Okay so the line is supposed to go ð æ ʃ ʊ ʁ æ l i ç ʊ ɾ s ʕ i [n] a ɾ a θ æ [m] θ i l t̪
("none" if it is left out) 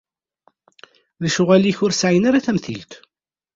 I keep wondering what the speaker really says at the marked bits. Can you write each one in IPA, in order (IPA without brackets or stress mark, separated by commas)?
n, m